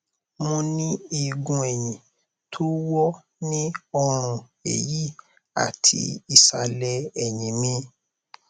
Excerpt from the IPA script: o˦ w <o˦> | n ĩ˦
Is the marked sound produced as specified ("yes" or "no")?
no